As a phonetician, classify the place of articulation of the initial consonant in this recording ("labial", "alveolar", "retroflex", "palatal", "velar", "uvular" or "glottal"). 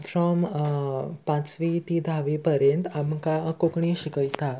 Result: labial